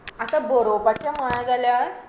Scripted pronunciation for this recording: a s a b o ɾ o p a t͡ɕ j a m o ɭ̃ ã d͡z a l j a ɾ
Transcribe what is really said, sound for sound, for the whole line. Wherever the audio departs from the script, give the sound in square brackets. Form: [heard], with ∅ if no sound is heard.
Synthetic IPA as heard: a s a b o ɾ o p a t͡ɕ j a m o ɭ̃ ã d͡z a l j a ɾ